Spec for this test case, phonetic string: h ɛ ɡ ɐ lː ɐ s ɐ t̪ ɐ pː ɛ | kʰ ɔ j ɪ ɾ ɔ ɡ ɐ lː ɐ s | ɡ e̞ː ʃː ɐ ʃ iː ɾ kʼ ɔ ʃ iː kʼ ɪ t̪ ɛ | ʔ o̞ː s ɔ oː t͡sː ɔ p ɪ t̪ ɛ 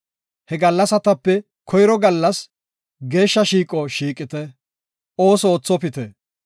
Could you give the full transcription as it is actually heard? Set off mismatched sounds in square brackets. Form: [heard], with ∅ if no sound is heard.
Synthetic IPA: h ɛ ɡ ɐ lː ɐ s ɐ t̪ ɐ pː ɛ | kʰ ɔ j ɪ ɾ ɔ ɡ ɐ lː ɐ s | ɡ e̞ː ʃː ɐ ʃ iː [∅] kʼ ɔ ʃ iː kʼ ɪ t̪ ɛ | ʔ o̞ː s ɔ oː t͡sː ɔ p ɪ t̪ ɛ